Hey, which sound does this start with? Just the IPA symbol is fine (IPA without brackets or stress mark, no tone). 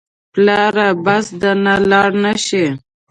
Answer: p